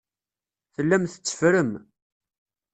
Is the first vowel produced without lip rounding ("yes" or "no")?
yes